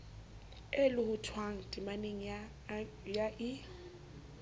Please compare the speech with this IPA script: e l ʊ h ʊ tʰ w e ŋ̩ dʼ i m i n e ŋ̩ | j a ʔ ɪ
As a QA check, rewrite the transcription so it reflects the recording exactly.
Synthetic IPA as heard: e l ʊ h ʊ tʰ w a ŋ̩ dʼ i m a n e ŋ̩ | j a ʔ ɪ